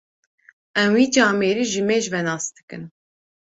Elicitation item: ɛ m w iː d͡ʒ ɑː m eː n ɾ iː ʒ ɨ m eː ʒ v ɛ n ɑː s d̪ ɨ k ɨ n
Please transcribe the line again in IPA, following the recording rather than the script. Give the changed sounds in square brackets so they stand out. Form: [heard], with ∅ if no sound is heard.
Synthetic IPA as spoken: ɛ m w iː d͡ʒ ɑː m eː [∅] ɾ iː ʒ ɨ m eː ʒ v ɛ n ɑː s d̪ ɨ k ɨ n